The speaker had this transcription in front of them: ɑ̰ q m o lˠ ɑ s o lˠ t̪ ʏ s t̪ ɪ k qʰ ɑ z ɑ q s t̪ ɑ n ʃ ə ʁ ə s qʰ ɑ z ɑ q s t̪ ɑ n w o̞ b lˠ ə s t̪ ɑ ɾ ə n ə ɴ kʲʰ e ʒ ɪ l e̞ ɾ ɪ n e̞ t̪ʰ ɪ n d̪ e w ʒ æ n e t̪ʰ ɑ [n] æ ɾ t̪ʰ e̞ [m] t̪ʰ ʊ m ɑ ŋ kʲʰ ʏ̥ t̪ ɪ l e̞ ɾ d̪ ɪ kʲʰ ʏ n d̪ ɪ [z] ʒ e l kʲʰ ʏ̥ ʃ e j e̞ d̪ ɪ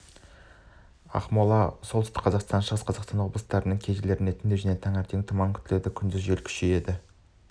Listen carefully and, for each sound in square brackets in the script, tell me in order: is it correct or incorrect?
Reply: incorrect: ŋ, incorrect: ŋ, correct

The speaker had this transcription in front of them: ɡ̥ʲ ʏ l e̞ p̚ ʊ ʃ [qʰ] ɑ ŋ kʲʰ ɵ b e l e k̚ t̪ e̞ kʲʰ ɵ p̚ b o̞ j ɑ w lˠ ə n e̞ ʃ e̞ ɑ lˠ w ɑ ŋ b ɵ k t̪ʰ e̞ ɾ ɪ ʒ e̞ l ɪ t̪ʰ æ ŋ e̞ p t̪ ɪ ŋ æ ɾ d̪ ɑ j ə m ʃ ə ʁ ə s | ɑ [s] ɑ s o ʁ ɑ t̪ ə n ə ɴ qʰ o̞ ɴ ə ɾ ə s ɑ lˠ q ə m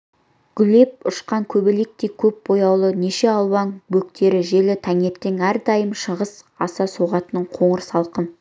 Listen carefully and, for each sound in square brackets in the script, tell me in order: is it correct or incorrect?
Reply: incorrect: q, correct

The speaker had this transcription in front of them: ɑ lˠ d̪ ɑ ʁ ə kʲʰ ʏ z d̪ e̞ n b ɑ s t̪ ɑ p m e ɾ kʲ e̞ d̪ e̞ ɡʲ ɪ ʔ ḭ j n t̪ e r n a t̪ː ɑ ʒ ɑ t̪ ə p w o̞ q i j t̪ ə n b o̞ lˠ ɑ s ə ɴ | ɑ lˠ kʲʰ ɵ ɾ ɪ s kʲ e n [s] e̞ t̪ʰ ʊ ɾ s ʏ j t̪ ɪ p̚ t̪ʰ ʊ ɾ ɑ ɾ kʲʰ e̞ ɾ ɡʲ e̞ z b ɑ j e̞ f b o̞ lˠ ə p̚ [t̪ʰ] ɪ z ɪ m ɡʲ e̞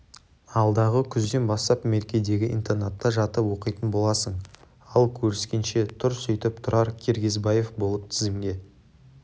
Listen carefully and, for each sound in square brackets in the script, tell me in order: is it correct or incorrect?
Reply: incorrect: ʃ, correct

